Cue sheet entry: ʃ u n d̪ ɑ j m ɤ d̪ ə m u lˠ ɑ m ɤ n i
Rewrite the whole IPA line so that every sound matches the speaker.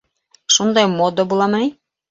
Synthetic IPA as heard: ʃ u n d̪ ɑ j m o d̪ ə b u lˠ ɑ m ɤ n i